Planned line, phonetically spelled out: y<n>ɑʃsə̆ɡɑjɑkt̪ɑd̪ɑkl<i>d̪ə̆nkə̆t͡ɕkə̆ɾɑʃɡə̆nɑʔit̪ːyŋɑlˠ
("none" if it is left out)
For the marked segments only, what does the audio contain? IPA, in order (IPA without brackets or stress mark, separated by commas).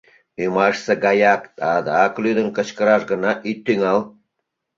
m, y